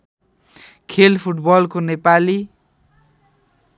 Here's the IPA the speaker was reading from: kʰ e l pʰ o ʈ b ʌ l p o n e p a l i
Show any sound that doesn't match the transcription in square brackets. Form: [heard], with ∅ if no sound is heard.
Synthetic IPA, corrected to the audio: kʰ e l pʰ [u] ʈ b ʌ l [k] o n e p a l i